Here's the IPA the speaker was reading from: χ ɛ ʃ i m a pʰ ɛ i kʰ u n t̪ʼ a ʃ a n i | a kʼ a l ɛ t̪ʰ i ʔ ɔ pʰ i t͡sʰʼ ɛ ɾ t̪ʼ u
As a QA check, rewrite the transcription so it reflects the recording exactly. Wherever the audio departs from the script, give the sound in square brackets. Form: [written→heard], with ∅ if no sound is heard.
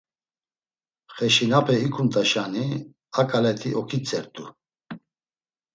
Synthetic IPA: χ ɛ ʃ i [m→n] a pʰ ɛ i kʰ u n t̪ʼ a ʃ a n i | a kʼ a l ɛ t̪ʰ i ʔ ɔ [pʰ→kʰ] i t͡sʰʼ ɛ ɾ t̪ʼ u